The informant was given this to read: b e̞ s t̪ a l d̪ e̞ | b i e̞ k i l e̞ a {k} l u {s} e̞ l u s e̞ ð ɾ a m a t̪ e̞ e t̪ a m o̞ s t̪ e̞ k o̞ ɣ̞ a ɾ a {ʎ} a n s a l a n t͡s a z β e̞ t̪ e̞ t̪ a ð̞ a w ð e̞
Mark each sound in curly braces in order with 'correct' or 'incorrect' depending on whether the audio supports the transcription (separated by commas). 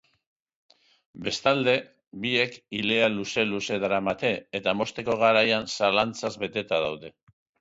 incorrect, correct, incorrect